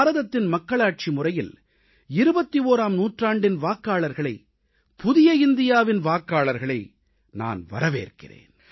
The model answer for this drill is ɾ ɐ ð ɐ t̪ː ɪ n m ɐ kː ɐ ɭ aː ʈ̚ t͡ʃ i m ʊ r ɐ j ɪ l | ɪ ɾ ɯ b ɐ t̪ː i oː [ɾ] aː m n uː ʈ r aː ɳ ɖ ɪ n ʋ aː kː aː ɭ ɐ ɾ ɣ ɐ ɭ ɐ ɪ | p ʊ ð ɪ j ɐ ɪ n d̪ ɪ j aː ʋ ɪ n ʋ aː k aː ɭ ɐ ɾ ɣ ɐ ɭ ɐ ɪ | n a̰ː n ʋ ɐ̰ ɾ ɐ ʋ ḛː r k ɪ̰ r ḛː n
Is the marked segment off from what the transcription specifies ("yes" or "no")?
no